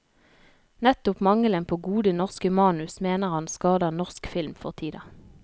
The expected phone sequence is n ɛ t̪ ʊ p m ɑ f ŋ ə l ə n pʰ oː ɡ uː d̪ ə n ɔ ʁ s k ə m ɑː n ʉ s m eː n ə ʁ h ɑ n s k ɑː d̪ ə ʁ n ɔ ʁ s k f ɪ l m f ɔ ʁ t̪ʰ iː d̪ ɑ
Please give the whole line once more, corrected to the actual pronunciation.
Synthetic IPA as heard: n ɛ t̪ ʊ p m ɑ ŋ ə l ə n pʰ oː ɡ uː d̪ ə n ɔ ʁ s k ə m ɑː n ʉ s m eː n ə ʁ h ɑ n s k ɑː d̪ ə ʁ n ɔ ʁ s k f ɪ l m f ɔ ʁ t̪ʰ iː d̪ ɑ